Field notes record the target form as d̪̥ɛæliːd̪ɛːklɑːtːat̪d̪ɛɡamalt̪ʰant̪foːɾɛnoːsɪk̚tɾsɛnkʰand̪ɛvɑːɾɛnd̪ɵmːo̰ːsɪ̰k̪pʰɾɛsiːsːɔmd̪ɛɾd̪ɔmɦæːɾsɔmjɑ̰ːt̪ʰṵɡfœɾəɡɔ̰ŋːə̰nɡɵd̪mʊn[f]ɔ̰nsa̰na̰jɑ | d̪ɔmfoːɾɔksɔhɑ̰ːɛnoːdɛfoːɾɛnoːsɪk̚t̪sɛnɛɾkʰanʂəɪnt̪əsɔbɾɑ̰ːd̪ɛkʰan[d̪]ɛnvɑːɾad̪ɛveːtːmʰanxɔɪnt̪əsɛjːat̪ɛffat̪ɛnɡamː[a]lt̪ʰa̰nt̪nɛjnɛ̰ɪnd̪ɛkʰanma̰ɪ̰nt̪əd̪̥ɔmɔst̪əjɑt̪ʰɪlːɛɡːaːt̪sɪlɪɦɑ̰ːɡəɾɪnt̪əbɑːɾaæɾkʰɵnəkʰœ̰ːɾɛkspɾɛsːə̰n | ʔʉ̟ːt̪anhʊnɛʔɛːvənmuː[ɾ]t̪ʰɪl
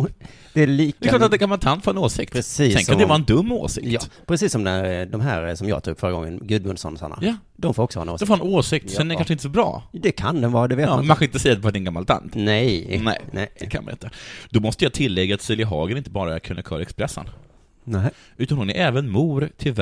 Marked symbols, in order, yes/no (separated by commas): no, yes, yes, yes